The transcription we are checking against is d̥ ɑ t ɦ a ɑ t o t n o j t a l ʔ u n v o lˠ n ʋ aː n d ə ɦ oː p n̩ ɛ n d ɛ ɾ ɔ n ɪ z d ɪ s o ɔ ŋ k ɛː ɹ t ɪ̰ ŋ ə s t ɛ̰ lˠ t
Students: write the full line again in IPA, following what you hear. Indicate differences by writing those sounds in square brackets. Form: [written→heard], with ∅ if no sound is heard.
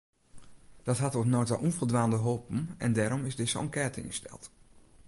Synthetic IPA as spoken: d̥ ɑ t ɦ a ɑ t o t n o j t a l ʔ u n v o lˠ [n→d] ʋ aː n d ə ɦ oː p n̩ ɛ n d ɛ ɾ ɔ [n→m] ɪ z d ɪ s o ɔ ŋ k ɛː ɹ t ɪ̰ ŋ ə s t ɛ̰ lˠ t